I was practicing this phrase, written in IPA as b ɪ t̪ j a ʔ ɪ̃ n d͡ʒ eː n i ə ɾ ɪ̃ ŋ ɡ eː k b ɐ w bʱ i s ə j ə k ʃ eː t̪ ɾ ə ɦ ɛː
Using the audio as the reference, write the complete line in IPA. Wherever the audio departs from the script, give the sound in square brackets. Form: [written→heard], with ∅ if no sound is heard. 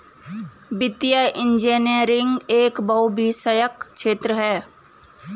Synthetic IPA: b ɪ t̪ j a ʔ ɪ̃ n d͡ʒ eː n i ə ɾ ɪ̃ ŋ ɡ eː k b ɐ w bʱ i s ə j ə k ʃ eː t̪ ɾ ə ɦ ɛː